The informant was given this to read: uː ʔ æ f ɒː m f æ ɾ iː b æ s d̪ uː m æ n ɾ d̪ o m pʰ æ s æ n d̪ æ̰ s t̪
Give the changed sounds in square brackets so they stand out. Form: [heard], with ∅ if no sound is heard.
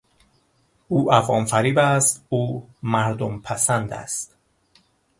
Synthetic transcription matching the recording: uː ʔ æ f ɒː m f æ ɾ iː b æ s [t̪] uː m æ [∅] ɾ d̪ o m pʰ æ s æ n d̪ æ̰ s t̪